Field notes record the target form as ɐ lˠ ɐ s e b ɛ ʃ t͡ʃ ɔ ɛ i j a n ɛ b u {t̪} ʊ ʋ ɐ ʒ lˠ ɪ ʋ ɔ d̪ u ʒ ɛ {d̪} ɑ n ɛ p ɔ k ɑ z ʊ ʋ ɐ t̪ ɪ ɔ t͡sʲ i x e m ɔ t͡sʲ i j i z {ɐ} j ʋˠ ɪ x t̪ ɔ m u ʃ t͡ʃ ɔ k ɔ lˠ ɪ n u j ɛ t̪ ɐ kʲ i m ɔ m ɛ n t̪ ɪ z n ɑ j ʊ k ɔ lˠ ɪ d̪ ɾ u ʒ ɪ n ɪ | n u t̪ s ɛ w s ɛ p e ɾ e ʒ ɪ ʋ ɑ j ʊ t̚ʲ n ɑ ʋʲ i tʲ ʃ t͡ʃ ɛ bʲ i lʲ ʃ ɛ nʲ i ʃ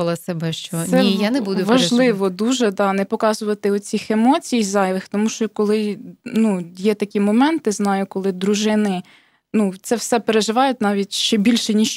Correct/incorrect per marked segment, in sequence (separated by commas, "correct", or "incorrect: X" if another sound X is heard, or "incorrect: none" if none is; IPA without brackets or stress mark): incorrect: d̪, correct, incorrect: ɑ